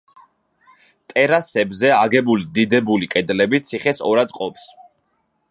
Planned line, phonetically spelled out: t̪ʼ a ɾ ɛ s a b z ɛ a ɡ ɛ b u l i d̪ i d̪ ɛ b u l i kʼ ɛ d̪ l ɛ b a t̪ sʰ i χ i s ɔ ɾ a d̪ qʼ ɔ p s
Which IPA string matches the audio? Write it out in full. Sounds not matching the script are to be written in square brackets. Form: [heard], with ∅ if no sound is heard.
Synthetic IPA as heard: t̪ʼ [ɛ] ɾ [a] s [ɛ] b z ɛ a ɡ ɛ b u l i d̪ i d̪ ɛ b u l i kʼ ɛ d̪ l ɛ b [i] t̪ sʰ i χ [ɛ] s ɔ ɾ a d̪ qʼ ɔ p s